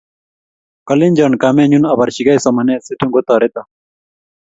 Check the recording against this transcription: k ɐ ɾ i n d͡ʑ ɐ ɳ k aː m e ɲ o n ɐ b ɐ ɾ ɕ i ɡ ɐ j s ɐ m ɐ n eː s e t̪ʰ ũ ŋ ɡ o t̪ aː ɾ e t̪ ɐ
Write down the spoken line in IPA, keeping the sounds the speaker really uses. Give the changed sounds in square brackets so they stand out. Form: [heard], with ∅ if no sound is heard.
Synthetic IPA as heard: k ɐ [l] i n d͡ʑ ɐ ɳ k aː m e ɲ [u] n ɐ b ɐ ɾ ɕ i ɡ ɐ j s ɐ m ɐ n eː s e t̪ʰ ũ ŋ ɡ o t̪ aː ɾ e t̪ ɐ